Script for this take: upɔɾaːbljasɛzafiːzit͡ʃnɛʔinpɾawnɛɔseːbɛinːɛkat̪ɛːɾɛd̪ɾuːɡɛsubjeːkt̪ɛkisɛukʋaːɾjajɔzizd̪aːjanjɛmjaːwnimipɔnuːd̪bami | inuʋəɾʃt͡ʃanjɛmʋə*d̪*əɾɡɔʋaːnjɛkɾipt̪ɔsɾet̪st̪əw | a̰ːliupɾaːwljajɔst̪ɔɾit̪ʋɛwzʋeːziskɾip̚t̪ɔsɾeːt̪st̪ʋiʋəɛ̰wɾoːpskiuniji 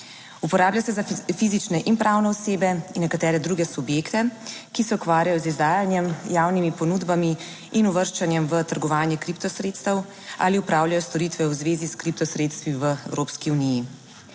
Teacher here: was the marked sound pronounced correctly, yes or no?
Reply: no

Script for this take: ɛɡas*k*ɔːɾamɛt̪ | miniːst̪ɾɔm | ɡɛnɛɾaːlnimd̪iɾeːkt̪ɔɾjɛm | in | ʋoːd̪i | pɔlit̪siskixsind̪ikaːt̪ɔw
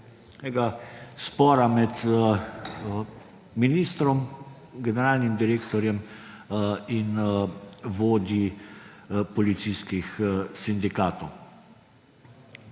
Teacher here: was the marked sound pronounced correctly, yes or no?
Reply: no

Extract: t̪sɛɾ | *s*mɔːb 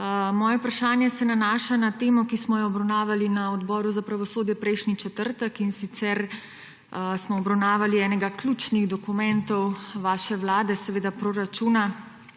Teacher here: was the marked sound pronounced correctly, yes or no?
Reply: yes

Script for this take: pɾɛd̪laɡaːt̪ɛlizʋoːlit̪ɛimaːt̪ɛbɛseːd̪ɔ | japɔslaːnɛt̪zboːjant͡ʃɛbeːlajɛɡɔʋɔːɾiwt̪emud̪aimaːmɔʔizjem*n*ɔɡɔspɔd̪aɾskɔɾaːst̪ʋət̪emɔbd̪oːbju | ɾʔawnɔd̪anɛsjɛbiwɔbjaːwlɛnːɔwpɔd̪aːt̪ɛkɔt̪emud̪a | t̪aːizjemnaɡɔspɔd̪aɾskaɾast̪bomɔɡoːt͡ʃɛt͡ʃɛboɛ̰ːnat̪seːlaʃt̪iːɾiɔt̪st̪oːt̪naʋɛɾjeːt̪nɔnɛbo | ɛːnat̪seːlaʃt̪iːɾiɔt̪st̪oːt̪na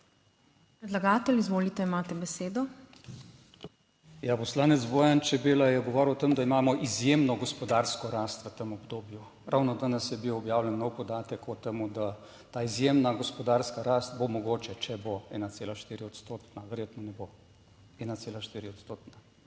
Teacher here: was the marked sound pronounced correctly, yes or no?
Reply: yes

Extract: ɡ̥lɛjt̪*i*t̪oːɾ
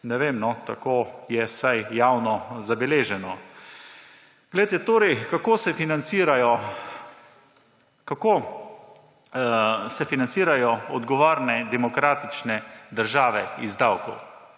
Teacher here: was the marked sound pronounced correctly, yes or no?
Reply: no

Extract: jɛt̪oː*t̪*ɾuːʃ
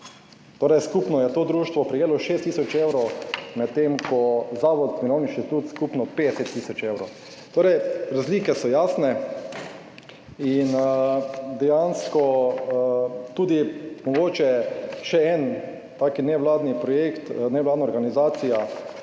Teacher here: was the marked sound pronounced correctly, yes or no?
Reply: no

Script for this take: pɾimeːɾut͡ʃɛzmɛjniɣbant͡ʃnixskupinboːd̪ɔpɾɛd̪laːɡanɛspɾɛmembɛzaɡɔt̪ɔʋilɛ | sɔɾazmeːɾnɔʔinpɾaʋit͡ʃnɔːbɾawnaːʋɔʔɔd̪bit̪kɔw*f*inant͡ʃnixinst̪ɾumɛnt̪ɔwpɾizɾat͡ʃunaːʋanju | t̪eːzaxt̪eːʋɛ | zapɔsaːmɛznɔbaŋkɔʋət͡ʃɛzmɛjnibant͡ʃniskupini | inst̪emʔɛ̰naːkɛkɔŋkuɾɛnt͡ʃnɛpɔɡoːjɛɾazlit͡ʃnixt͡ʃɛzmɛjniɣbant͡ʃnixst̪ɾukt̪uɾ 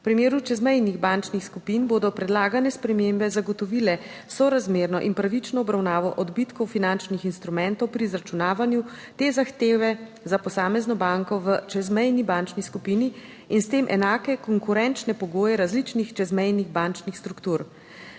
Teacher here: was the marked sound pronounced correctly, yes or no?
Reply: yes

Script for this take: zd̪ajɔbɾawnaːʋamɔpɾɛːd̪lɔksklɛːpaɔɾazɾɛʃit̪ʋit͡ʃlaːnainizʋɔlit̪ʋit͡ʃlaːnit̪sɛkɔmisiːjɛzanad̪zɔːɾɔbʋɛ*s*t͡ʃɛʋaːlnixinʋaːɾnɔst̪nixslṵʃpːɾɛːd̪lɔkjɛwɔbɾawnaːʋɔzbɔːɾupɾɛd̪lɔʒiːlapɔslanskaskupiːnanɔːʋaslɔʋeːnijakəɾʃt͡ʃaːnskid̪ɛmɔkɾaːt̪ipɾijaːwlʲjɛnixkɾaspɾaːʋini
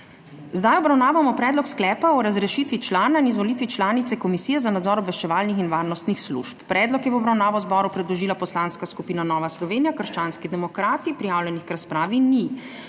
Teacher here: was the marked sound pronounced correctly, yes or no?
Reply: no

